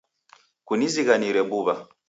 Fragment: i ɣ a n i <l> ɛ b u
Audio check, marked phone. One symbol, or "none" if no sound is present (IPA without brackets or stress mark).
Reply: ɾ